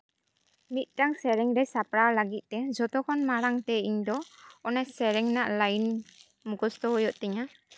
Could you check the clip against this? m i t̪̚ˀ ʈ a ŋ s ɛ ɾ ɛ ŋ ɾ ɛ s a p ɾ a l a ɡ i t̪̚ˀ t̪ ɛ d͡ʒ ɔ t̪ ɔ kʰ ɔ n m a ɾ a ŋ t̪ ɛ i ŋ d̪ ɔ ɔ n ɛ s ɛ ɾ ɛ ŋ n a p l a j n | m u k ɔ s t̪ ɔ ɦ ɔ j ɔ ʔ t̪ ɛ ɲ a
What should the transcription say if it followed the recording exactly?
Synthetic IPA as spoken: m i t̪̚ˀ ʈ a ŋ s ɛ ɾ ɛ ŋ ɾ ɛ s a p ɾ a l a ɡ i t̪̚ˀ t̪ ɛ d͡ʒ ɔ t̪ ɔ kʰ ɔ n m a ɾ a ŋ t̪ ɛ i ɲ d̪ ɔ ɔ n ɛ s ɛ ɾ ɛ ŋ n a ʔ l a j n | m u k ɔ s t̪ ɔ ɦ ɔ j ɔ ʔ t̪ ɛ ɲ a